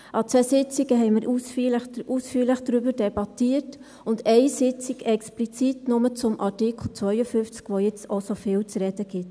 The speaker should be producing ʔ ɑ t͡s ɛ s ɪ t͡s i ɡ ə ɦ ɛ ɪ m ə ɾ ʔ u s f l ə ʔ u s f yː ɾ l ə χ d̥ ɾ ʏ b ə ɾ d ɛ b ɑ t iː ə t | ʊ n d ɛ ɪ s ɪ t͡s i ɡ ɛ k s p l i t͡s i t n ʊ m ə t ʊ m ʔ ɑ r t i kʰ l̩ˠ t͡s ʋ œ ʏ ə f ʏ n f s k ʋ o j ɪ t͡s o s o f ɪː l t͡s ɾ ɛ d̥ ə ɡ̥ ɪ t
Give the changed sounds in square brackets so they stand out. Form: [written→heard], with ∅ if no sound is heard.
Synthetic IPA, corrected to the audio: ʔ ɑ t͡s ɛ s ɪ t͡s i ɡ ə ɦ ɛ ɪ m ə ɾ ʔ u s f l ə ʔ u s f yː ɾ l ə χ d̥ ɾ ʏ b ə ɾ d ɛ b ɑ t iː ə t | ʊ n d ɛ ɪ s ɪ t͡s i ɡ ɛ k s p l i t͡s i t n ʊ m ə [t→t͡s] ʊ m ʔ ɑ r t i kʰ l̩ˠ t͡s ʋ œ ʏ ə f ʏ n f [s→t͡s] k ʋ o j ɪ t͡s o s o f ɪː l t͡s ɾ ɛ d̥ ə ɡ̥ ɪ t